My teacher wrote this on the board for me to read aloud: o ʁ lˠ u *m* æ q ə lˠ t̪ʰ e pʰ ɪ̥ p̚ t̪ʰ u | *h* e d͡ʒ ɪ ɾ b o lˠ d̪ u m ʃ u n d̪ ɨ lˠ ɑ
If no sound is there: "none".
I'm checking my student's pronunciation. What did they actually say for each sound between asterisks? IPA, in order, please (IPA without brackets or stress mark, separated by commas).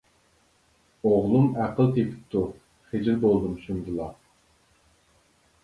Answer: m, χ